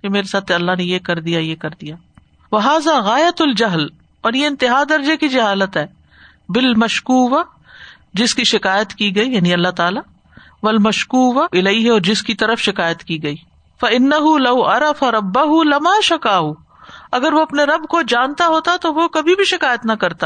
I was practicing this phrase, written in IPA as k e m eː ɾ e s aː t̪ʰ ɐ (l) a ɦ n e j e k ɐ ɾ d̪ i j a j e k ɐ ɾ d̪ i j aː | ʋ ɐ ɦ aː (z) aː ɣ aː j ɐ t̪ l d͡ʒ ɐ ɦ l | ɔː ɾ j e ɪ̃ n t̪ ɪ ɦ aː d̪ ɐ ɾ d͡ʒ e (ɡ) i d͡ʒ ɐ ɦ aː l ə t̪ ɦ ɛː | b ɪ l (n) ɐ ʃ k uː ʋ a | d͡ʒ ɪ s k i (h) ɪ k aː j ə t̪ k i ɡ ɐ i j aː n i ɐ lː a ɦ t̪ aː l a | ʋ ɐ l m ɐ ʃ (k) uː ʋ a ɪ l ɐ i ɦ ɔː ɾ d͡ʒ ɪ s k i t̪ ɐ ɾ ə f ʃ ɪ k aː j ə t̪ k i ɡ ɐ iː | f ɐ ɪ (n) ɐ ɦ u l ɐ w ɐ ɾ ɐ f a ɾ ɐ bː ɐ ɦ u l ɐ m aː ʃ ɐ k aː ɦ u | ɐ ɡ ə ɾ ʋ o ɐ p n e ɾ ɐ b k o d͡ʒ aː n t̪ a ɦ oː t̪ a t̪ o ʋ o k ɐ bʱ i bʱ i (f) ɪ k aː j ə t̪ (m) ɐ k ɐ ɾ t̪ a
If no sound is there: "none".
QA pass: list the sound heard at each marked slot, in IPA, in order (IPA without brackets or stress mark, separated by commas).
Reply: lː, z, k, m, ʃ, k, nː, ʃ, n